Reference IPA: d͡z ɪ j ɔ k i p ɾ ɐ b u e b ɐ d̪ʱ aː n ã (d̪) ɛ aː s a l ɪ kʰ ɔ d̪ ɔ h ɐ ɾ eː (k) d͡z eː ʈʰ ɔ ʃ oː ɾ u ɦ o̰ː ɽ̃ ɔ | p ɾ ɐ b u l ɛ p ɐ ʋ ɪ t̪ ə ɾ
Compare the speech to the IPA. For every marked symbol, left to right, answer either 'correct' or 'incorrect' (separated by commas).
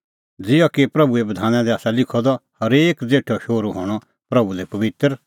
correct, correct